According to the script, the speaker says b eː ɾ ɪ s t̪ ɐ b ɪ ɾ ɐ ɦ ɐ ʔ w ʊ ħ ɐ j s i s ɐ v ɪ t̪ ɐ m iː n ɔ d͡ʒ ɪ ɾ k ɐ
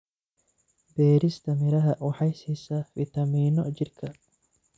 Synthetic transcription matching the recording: b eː ɾ ɪ s t̪ ɐ m ɪ ɾ ɐ ɦ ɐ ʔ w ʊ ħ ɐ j s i s ɐ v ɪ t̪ ɐ m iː n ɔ d͡ʒ ɪ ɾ k ɐ